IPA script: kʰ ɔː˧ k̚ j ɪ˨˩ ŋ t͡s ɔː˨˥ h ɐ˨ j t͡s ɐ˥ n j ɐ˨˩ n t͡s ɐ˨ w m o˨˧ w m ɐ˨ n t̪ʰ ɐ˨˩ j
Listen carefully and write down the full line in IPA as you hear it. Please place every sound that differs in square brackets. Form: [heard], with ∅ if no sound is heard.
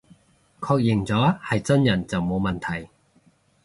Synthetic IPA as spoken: kʰ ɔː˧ k̚ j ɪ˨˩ ŋ t͡s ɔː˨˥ h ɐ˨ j t͡s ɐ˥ n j ɐ˨˩ n t͡s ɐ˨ w m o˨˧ w m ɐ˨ n t̪ʰ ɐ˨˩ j